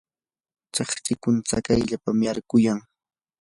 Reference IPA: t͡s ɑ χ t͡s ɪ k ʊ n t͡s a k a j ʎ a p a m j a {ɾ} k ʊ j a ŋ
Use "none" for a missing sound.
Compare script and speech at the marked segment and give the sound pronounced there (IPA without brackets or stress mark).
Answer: ɾ